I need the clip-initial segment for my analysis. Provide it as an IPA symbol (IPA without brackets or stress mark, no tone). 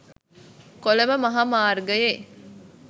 k